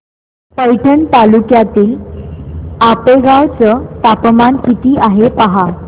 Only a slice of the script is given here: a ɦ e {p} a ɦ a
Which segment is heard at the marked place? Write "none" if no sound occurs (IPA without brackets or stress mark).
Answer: p